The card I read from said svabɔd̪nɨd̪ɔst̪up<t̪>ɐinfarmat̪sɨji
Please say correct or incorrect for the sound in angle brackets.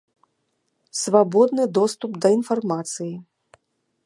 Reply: incorrect